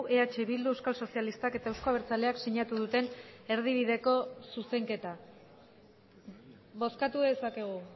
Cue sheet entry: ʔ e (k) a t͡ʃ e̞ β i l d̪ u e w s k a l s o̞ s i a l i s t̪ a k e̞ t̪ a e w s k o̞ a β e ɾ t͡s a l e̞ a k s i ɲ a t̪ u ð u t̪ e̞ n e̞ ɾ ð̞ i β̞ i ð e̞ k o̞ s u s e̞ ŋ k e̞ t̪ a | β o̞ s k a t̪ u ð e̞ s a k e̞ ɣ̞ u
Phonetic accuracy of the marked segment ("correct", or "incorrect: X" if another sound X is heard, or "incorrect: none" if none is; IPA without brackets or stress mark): incorrect: none